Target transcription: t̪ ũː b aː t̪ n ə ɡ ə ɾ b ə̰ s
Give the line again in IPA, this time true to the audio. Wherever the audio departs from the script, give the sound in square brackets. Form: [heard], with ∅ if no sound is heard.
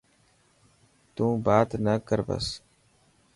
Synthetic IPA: t̪ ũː b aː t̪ n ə [k] ə ɾ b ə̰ s